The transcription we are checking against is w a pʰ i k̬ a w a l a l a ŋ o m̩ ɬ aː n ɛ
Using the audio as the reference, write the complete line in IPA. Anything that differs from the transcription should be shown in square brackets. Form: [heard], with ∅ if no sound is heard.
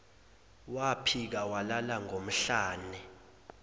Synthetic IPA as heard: w a pʰ i k̬ a w a l a l a ŋ o m̩ ɬ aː n ɛ

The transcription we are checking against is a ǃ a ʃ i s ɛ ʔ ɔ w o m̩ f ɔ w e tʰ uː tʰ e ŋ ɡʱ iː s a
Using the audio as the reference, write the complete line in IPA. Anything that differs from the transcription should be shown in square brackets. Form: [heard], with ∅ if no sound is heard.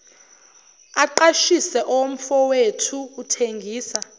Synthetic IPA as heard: a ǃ a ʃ i s ɛ ʔ ɔ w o m̩ f ɔ w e tʰ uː tʰ e ŋ ɡʱ iː s a

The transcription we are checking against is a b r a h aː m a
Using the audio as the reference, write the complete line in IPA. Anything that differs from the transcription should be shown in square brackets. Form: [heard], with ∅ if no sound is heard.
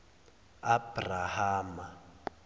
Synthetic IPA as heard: a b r a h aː m a

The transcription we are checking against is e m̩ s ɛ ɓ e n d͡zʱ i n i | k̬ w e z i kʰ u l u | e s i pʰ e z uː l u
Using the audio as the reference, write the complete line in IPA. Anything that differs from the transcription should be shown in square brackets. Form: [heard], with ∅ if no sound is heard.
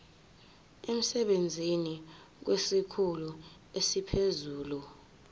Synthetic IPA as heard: e m̩ s ɛ ɓ e n d͡zʱ i n i | k̬ w e [s] i kʰ u l u | e s i pʰ e z uː l u

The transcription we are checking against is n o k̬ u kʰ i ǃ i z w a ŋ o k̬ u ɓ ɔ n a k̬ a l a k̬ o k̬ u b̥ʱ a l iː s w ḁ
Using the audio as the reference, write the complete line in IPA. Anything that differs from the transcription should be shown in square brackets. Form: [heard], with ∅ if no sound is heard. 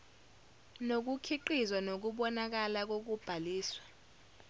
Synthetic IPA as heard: n o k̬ u kʰ i ǃ i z w a [n] o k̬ u ɓ ɔ n a k̬ a l a k̬ o k̬ u b̥ʱ a l iː s w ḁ

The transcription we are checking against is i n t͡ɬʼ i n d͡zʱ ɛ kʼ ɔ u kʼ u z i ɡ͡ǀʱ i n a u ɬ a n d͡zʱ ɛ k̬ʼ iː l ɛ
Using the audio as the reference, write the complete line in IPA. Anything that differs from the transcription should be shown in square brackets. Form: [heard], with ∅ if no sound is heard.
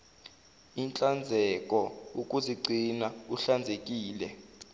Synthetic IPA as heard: i n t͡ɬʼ [a] n d͡zʱ ɛ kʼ ɔ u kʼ u z i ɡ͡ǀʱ i n a u ɬ a n d͡zʱ [e] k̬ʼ iː l ɛ

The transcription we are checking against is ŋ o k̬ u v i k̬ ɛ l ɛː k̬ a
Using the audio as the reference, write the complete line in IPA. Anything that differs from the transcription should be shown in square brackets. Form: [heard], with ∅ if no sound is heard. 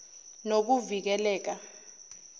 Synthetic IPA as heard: [n] o k̬ u v i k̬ ɛ l ɛː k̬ a

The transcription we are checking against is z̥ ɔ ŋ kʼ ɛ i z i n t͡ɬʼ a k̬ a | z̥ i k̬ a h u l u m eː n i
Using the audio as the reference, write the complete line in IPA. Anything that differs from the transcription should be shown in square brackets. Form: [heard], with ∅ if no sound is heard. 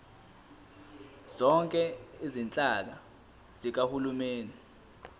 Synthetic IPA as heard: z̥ ɔ ŋ kʼ ɛ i z i n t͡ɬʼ a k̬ a | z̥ i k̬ a h u l u m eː n i

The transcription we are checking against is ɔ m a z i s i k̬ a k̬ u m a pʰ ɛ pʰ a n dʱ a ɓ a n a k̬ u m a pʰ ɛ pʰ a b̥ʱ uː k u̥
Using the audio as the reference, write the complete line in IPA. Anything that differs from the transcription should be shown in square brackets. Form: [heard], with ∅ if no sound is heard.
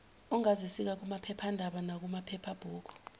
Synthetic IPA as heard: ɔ [ŋ] a z i s i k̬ a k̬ u m a pʰ ɛ pʰ a n dʱ a ɓ a n a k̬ u m a pʰ ɛ pʰ a b̥ʱ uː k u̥

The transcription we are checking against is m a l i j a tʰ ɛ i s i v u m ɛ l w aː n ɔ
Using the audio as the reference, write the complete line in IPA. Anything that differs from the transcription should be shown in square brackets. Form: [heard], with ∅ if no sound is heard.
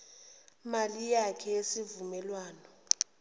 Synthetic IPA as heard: m a l i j a [kʰ] ɛ [e] s i v u m ɛ l w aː n ɔ

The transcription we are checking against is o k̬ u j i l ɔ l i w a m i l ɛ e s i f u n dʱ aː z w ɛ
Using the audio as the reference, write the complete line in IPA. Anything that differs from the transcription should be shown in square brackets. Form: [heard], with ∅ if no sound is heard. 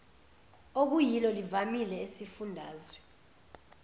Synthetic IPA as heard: o k̬ u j i l ɔ l i [v] a m i l ɛ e s i f u n dʱ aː z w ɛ

